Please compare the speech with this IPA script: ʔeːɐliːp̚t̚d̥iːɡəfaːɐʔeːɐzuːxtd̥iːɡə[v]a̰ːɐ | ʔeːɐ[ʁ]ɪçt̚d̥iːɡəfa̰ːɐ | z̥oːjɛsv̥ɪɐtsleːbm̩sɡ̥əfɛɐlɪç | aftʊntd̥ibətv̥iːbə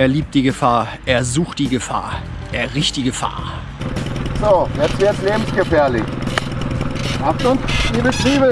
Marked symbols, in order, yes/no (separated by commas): no, yes